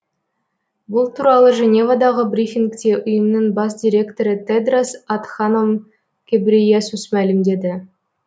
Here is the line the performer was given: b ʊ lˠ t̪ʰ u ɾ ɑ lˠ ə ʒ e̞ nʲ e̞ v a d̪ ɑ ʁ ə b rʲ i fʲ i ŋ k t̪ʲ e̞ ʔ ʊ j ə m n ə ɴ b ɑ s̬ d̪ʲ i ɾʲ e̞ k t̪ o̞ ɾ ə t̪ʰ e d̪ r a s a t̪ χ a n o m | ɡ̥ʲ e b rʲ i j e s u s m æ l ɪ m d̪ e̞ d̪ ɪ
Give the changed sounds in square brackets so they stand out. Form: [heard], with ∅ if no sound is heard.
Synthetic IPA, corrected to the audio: b ʊ lˠ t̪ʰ u ɾ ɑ lˠ ə ʒ e̞ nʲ e̞ v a d̪ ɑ ʁ ə b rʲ i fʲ i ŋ k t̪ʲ e̞ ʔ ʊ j ə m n ə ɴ b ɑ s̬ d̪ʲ i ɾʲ e̞ k t̪ o̞ ɾ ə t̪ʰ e d̪ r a s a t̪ χ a n o m | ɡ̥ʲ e b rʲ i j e s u s m æ l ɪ m d̪ e̞ d̪ ɪ